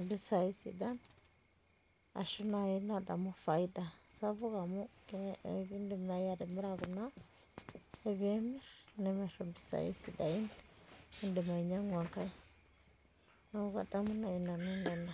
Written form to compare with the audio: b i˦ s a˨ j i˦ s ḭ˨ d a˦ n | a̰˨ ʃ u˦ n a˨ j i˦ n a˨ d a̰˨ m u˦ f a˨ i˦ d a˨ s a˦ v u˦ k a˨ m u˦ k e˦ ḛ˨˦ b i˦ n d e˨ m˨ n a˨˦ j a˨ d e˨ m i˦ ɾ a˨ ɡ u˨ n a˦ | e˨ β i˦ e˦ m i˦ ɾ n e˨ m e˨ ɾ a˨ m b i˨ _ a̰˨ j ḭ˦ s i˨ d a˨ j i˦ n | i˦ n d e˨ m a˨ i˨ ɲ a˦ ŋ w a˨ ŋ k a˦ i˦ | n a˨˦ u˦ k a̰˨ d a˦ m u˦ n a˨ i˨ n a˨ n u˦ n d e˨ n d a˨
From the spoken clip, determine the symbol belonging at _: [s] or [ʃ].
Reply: s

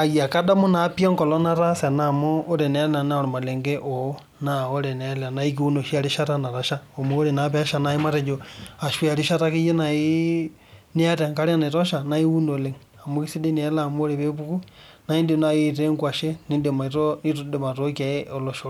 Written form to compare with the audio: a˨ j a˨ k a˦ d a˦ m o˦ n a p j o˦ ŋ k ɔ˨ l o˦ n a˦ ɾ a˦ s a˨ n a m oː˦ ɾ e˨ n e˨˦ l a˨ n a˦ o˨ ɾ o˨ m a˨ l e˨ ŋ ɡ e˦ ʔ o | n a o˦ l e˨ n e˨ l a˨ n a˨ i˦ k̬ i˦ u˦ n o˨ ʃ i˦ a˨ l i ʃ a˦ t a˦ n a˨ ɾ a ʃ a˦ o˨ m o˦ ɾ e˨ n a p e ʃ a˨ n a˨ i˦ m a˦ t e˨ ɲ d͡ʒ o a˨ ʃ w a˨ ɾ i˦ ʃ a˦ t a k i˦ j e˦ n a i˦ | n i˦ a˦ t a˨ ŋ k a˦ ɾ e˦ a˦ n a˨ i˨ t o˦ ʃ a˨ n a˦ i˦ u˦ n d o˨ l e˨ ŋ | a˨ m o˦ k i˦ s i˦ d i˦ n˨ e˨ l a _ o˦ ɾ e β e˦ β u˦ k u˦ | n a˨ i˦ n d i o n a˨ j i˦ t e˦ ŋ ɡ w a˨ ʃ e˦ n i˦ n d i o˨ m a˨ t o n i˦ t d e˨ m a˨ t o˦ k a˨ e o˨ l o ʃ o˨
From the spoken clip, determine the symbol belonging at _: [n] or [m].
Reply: m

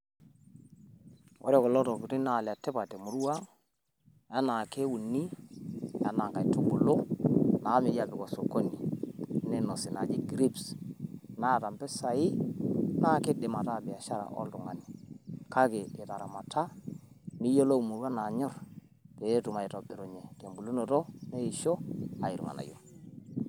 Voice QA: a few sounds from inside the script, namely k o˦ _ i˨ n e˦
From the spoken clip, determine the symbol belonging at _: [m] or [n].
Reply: n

